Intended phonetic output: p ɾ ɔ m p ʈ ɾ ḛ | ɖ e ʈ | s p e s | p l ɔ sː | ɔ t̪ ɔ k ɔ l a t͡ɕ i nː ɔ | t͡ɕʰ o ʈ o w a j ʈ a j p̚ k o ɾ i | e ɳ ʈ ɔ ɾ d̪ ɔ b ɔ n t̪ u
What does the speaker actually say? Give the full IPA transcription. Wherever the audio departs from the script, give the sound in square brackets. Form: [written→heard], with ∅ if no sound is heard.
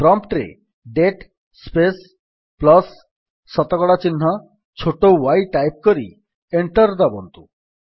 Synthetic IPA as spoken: p ɾ ɔ m p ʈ ɾ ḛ | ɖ e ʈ | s p e s | p l ɔ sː | ɔ t̪ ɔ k ɔ [l→ɽ] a t͡ɕ i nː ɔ | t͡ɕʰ o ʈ o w a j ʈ a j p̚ k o ɾ i | e ɳ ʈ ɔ ɾ d̪ ɔ b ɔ n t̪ u

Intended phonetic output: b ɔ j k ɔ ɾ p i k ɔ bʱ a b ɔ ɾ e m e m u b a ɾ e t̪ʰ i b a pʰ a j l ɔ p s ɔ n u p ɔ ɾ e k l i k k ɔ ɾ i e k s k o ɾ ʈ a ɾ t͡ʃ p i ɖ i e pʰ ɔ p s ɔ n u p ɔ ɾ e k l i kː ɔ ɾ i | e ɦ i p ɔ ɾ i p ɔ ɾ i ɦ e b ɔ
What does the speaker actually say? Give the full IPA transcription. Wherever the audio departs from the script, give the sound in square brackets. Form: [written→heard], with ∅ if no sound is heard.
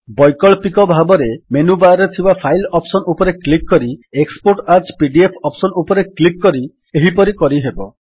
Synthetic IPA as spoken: b ɔ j k ɔ [ɾ→ɭ] p i k ɔ bʱ a b ɔ ɾ e m e [m→n] u b a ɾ e t̪ʰ i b a pʰ a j l ɔ p s ɔ n u p ɔ ɾ e k l i k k ɔ ɾ i e k s [k→p] o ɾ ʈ a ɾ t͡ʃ p i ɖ i e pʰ ɔ p s ɔ n u p ɔ ɾ e k l i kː ɔ ɾ i | e ɦ i p ɔ ɾ i [p→k] ɔ ɾ i ɦ e b ɔ

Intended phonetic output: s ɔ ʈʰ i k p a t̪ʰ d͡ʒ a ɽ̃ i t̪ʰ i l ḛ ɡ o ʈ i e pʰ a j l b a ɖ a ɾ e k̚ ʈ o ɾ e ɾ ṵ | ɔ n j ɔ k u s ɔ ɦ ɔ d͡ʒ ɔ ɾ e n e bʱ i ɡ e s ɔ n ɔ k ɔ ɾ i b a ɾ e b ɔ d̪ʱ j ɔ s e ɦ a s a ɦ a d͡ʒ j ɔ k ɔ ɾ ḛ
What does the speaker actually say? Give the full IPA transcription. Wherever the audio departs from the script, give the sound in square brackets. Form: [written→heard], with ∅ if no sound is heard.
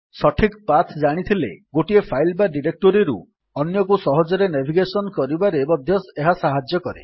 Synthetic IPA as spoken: s ɔ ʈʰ i k p a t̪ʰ d͡ʒ a ɽ̃ i t̪ʰ i l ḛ ɡ o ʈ i e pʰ a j l b a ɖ [a→i] ɾ e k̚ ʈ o ɾ [e→i] ɾ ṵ | ɔ n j ɔ k u s ɔ ɦ ɔ d͡ʒ ɔ ɾ e n e bʱ i ɡ e s ɔ n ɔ k ɔ ɾ i b a ɾ e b ɔ d̪ʱ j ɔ s e ɦ a s a ɦ a d͡ʒ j ɔ k ɔ ɾ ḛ

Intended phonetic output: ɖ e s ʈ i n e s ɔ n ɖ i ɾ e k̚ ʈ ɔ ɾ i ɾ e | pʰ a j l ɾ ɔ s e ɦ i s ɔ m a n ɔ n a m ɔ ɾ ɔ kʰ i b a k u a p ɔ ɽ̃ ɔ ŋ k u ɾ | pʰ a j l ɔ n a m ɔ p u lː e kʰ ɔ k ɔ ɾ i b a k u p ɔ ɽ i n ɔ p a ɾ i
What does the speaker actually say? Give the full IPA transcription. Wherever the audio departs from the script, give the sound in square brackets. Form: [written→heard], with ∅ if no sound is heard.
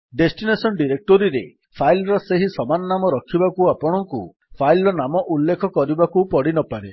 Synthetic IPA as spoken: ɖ e s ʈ i n e s ɔ n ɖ i ɾ e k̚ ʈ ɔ ɾ i ɾ e | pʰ a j l ɾ ɔ s e ɦ i s ɔ m a n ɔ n a m ɔ ɾ ɔ kʰ i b a k u a p ɔ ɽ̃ ɔ ŋ k u [ɾ→∅] | pʰ a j l ɔ n a m ɔ [p→ʔ] u lː e kʰ ɔ k ɔ ɾ i b a k u p ɔ ɽ i n ɔ p a ɾ [i→e]

